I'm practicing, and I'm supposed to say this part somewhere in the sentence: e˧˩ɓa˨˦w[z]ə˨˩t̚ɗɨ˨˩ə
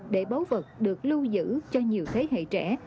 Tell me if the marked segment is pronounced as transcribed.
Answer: no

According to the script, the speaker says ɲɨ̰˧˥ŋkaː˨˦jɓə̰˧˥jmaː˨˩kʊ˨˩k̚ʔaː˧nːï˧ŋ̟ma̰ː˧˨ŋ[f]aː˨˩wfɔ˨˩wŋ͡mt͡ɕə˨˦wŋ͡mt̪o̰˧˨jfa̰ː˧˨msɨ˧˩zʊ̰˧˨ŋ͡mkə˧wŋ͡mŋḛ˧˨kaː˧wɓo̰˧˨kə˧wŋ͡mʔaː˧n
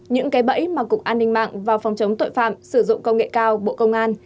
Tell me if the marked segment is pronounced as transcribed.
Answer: no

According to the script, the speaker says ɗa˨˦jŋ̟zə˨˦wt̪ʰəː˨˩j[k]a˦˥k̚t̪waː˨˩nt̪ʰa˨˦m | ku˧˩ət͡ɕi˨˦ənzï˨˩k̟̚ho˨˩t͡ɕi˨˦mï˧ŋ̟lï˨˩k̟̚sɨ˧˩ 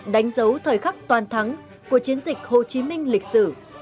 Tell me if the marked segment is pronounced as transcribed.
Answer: no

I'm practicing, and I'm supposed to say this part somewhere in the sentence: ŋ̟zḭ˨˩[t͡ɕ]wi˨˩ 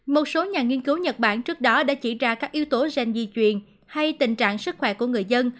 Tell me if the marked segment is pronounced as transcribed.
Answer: yes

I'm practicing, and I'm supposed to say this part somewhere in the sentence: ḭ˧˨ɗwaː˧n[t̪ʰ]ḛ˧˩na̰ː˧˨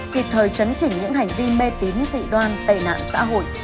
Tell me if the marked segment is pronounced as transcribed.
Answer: no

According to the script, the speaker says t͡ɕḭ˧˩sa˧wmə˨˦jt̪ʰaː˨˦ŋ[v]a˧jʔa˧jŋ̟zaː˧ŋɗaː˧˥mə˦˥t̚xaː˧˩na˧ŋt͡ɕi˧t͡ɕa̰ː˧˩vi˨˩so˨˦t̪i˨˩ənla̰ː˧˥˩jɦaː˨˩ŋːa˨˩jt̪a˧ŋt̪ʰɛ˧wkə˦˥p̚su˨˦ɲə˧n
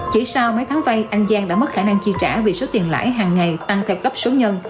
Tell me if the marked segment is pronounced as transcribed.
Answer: yes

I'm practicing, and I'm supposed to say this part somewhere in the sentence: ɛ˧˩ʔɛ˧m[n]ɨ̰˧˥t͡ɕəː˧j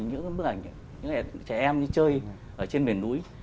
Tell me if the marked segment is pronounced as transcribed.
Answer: no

